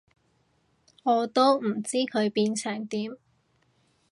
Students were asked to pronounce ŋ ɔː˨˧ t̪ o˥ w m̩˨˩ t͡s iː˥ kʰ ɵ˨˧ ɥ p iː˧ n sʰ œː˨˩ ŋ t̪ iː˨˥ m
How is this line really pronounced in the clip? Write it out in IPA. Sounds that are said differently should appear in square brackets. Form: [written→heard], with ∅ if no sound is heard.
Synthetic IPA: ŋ ɔː˨˧ t̪ o˥ w m̩˨˩ t͡s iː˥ kʰ ɵ˨˧ ɥ p iː˧ n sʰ œː˨˩ ŋ t̪ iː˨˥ m